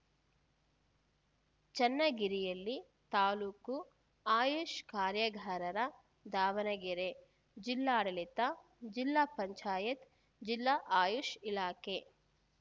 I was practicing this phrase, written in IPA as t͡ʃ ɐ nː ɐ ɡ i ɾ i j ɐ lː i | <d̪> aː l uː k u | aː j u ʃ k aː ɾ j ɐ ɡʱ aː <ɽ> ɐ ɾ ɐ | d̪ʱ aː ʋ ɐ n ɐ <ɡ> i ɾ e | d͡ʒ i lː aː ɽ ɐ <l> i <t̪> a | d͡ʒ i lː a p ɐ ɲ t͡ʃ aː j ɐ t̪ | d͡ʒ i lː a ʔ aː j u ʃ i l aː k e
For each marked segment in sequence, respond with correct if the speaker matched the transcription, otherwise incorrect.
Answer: incorrect: t̪, incorrect: ɾ, correct, correct, correct

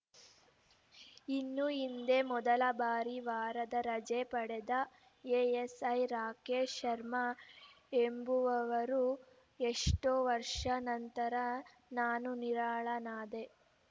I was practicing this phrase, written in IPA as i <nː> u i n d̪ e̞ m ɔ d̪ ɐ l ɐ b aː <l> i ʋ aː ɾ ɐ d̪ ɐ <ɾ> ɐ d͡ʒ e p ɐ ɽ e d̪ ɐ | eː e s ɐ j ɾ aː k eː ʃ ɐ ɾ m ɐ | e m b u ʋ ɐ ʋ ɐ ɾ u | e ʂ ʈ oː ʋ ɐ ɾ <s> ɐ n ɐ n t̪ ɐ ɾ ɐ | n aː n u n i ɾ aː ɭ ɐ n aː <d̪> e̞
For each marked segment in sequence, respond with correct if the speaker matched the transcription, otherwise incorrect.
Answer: correct, incorrect: ɾ, correct, incorrect: ʂ, correct

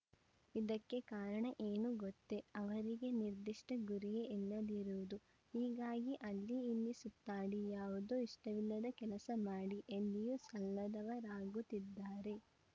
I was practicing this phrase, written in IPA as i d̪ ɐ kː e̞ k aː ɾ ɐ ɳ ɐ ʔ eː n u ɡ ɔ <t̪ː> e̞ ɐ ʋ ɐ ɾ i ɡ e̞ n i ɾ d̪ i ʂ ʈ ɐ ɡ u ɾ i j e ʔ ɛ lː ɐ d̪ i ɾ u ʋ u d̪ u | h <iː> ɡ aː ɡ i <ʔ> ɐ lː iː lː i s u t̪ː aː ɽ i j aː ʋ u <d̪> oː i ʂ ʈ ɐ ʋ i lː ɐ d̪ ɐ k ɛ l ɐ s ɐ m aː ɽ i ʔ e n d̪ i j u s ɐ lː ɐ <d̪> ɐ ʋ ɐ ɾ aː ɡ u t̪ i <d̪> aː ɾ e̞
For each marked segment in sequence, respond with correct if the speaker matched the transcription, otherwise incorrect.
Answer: correct, correct, correct, correct, correct, incorrect: d̪ː

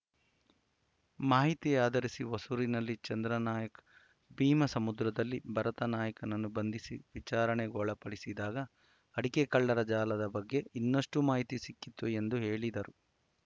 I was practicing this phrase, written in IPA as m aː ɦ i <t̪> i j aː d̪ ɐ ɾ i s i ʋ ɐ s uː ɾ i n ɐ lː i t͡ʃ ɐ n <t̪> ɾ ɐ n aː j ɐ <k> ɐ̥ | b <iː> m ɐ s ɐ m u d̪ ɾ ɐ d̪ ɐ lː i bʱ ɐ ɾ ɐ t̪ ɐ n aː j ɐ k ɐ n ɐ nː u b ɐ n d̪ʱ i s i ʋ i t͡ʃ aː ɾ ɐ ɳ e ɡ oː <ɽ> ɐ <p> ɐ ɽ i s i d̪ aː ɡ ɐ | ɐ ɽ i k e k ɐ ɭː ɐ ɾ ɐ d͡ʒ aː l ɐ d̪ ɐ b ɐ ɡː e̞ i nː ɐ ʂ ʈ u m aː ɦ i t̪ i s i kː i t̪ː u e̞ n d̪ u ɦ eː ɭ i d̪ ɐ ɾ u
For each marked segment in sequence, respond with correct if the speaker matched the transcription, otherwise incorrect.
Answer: correct, incorrect: d̪, correct, correct, incorrect: ɭ, correct

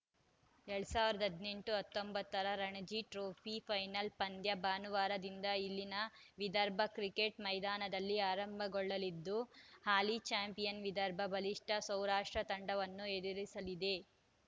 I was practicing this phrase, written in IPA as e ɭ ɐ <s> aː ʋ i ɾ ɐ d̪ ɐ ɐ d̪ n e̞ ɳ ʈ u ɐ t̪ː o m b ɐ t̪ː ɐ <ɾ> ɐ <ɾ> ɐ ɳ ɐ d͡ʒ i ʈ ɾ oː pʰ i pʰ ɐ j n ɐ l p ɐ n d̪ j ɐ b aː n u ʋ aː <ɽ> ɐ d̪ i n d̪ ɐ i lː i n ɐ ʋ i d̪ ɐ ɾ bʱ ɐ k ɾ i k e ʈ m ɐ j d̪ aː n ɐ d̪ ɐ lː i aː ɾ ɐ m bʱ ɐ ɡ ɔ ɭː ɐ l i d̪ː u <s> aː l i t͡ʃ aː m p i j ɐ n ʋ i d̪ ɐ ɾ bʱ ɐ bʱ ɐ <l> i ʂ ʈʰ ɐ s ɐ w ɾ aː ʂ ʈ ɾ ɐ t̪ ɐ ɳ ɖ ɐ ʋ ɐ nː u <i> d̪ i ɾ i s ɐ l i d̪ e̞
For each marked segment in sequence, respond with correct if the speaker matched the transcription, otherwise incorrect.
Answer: correct, correct, correct, incorrect: ɾ, incorrect: h, correct, incorrect: e

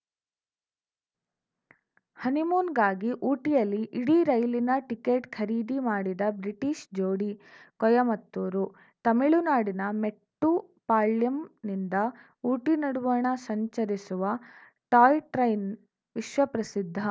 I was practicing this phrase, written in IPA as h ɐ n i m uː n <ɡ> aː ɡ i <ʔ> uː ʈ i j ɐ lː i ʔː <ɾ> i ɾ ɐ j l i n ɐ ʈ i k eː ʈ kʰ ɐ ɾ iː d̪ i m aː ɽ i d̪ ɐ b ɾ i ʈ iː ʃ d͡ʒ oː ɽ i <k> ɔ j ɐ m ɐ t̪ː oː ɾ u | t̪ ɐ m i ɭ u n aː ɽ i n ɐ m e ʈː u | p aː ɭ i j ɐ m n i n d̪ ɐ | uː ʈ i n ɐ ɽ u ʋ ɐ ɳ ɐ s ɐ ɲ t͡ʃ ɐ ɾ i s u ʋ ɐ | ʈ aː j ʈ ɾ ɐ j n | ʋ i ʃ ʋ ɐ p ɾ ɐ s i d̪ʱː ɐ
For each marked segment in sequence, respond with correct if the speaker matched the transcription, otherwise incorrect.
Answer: correct, correct, incorrect: ɽ, correct

